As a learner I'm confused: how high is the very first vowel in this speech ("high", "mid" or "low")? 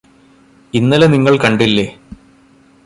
high